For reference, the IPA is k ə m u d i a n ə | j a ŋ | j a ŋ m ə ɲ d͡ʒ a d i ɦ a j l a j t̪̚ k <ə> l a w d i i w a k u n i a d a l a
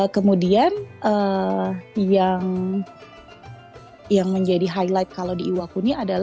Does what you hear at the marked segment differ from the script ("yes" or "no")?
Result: yes